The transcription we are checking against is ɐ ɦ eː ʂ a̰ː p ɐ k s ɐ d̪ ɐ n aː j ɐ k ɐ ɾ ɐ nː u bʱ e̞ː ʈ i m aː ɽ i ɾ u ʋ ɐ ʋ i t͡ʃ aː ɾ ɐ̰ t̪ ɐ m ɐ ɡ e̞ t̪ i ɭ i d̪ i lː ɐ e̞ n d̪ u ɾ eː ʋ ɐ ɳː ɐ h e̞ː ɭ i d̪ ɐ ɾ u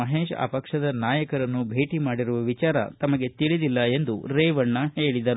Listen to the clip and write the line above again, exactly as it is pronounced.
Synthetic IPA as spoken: ɐ ɦ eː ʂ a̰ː p ɐ k ʂ ɐ d̪ ɐ n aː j ɐ k ɐ ɾ ɐ nː u bʱ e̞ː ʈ i m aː ɽ i ɾ u ʋ ɐ ʋ i t͡ʃ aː ɾ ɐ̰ t̪ ɐ m ɐ ɡ e̞ t̪ i ɭ i d̪ i lː ɐ e̞ n d̪ u ɾ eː ʋ ɐ ɳː ɐ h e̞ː ɭ i d̪ ɐ ɾ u

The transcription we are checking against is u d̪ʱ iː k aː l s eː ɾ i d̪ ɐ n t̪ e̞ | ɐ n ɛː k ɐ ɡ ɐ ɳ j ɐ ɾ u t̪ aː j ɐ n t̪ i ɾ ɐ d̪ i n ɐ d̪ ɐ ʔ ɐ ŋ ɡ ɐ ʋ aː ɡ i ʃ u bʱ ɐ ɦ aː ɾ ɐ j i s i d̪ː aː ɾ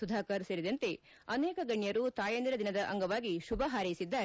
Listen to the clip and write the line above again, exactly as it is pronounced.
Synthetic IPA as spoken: u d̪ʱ aː k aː ɾ s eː ɾ i d̪ ɐ n t̪ e̞ | ɐ n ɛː k ɐ ɡ ɐ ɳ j ɐ ɾ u t̪ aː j ɐ n d̪ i ɾ ɐ d̪ i n ɐ d̪ ɐ ʔ ɐ ŋ ɡ ɐ ʋ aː ɡ i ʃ u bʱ ɐ ɦ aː ɾ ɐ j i s i d̪ː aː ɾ

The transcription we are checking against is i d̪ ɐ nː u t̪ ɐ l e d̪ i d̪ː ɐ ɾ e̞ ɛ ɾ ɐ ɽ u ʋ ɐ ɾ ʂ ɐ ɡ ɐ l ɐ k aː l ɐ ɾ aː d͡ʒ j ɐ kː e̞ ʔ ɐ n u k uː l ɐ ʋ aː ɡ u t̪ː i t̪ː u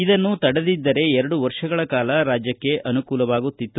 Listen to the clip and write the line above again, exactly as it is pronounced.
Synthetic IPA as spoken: i d̪ ɐ nː u t̪ ɐ ɽ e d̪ i d̪ː ɐ ɾ e̞ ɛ ɾ ɐ ɽ u ʋ ɐ ɾ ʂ ɐ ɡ ɐ ɭ ɐ k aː l ɐ ɾ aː d͡ʒ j ɐ kː e̞ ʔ ɐ n u k uː l ɐ ʋ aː ɡ u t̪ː i t̪ː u

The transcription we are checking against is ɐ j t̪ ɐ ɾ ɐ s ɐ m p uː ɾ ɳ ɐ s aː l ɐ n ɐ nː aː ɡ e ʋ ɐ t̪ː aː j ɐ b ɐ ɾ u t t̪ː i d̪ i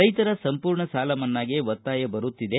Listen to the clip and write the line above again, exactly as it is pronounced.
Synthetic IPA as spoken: ɐ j t̪ ɐ ɾ ɐ s ɐ m p uː ɾ ɳ ɐ s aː l ɐ m ɐ nː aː ɡ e ʋ ɐ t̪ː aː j ɐ b ɐ ɾ u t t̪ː i d̪ e

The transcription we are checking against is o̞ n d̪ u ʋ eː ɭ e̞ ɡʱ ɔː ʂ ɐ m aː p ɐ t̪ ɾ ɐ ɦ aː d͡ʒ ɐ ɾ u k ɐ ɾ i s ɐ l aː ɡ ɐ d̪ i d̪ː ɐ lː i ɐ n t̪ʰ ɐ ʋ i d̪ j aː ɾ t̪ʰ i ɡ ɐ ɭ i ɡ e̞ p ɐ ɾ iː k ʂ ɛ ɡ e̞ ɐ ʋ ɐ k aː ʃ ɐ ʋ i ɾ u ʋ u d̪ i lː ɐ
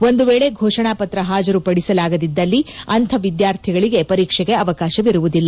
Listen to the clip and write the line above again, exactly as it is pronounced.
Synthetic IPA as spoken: o̞ n d̪ u ʋ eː ɭ e̞ ɡʱ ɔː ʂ ɐ ɳ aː p ɐ t̪ ɾ ɐ ɦ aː d͡ʒ ɐ ɾ u p ɐ ɽ i s ɐ l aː ɡ ɐ d̪ i d̪ː ɐ lː i ɐ n t̪ʰ ɐ ʋ i d̪ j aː ɾ t̪ʰ i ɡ ɐ ɭ i ɡ e̞ p ɐ ɾ iː k ʂ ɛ ɡ e̞ ɐ ʋ ɐ k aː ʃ ɐ ʋ i ɾ u ʋ u d̪ i lː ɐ

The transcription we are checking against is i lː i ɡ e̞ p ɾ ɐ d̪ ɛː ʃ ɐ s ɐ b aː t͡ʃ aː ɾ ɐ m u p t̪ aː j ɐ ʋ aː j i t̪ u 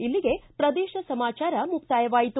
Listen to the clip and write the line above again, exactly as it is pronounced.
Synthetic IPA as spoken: i lː i ɡ e̞ p ɾ ɐ d̪ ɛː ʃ ɐ s ɐ m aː t͡ʃ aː ɾ ɐ m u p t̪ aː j ɐ ʋ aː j i t̪ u

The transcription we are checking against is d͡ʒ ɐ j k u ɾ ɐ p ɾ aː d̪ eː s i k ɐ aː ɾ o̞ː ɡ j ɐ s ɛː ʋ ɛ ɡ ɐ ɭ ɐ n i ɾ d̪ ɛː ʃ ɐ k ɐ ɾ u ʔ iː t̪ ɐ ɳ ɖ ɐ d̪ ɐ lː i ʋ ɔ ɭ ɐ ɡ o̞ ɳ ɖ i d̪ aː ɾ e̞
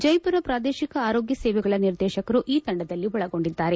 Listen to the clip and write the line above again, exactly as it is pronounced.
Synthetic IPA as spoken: d͡ʒ ɐ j p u ɾ ɐ p ɾ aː d̪ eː ʃ i k ɐ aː ɾ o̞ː ɡ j ɐ s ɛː ʋ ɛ ɡ ɐ ɭ ɐ n i ɾ d̪ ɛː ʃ ɐ k ɐ ɾ u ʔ iː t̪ ɐ ɳ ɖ ɐ d̪ ɐ lː i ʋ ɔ ɭ ɐ ɡ o̞ ɳ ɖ i d̪ː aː ɾ e̞

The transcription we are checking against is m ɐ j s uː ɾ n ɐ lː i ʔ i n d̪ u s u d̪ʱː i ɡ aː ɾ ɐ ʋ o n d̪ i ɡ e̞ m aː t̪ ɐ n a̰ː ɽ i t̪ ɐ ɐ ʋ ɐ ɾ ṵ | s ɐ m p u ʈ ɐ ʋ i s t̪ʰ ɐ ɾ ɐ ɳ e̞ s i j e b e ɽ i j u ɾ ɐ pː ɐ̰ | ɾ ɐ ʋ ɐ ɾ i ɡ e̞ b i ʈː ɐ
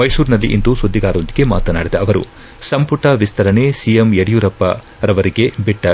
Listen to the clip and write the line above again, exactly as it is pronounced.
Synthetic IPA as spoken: m ɐ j s uː ɾ n ɐ lː i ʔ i n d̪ u s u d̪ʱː i ɡ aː ɾ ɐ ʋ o n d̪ i ɡ e̞ m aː t̪ ɐ n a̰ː ɽ i d̪ ɐ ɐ ʋ ɐ ɾ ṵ | s ɐ m p u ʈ ɐ ʋ i s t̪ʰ ɐ ɾ ɐ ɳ e̞ s i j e m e ɽ i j u ɾ ɐ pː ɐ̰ | ɾ ɐ ʋ ɐ ɾ i ɡ e̞ b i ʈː ɐ

